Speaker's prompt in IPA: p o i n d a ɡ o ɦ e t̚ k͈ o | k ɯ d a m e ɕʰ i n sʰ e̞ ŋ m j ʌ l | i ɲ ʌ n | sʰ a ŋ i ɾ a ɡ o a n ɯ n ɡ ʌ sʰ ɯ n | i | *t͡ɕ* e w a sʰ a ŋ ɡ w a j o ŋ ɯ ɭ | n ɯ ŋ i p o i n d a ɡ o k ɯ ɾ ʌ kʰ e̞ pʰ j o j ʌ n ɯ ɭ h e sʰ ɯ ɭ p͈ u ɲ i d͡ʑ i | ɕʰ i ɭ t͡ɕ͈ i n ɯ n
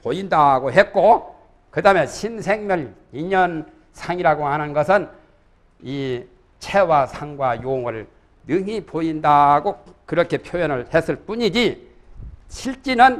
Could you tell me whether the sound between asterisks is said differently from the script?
yes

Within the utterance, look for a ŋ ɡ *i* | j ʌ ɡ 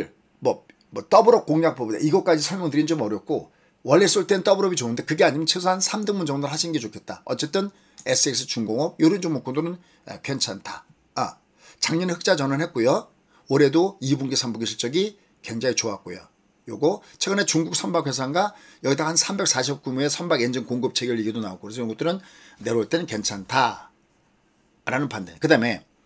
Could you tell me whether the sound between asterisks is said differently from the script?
yes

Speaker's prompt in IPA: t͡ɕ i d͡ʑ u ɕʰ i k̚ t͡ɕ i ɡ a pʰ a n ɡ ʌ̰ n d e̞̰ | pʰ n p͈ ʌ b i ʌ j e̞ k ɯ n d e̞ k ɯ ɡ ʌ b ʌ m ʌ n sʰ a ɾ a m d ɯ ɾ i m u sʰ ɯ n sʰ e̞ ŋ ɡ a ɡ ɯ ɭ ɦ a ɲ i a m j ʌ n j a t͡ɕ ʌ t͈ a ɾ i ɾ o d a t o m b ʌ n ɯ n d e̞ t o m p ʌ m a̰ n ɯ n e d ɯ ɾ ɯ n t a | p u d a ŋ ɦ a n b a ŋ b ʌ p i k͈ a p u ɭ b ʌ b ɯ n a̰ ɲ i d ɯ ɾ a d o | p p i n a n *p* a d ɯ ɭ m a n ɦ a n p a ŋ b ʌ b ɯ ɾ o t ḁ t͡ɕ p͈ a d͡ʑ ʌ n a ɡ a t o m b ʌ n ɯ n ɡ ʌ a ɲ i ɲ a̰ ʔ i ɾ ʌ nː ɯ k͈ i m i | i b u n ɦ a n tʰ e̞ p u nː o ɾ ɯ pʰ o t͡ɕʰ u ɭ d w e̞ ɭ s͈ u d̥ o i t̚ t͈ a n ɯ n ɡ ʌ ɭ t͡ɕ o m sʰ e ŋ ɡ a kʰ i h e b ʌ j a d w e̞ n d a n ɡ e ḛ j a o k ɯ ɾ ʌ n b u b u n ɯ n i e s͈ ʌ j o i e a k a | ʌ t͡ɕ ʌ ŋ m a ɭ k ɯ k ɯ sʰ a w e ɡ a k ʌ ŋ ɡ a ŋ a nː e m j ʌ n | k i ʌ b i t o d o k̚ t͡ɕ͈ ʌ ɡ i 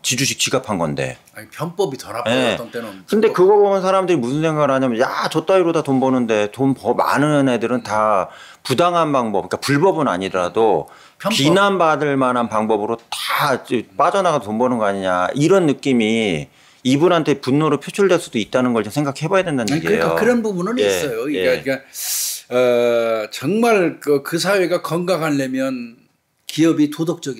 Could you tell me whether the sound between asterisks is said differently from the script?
yes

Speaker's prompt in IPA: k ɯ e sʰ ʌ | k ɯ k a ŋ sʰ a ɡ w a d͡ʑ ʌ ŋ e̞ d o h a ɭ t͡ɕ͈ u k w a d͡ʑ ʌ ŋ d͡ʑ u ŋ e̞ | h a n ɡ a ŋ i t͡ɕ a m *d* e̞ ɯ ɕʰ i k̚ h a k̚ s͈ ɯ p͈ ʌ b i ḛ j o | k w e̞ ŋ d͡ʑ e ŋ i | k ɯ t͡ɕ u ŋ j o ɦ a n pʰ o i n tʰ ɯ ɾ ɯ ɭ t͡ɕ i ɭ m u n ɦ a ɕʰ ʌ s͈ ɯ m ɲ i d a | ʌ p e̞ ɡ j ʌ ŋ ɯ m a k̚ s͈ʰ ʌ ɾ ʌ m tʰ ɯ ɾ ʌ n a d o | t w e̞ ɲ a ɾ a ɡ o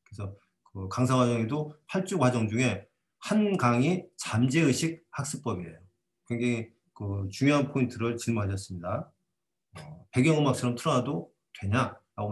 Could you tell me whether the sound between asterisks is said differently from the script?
yes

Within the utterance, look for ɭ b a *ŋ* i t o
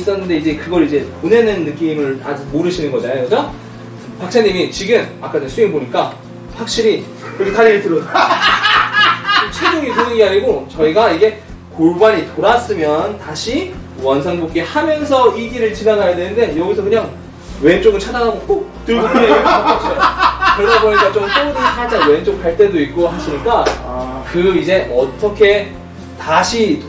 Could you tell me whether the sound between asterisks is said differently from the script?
yes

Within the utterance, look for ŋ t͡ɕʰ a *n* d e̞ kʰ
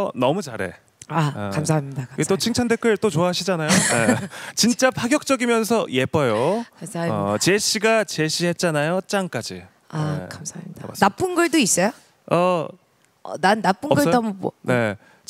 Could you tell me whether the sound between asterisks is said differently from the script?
no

